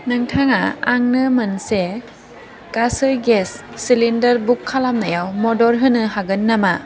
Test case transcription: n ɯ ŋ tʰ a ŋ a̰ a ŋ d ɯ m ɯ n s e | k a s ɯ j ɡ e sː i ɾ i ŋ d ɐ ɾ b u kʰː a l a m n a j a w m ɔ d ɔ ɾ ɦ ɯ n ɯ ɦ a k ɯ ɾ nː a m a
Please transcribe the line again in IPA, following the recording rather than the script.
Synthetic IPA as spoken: n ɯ ŋ tʰ a ŋ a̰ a ŋ n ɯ m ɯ n s e | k a s ɯ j ɡ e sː i l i n d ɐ ɾ b u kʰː a l a m n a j a w m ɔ d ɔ ɾ ɦ ɯ n ɯ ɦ a ɡ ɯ nː a m a